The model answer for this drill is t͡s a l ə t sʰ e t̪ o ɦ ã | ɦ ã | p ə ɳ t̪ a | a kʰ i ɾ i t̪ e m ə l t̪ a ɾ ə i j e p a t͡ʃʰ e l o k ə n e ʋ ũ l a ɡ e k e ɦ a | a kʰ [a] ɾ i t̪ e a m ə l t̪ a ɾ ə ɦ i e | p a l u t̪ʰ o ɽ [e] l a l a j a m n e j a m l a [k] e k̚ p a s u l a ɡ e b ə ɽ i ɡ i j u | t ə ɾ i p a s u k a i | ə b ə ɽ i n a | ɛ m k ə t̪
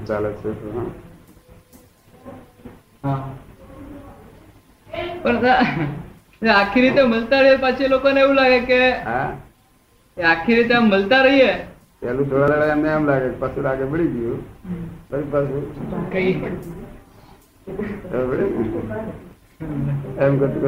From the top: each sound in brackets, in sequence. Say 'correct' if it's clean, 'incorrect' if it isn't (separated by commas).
incorrect, incorrect, incorrect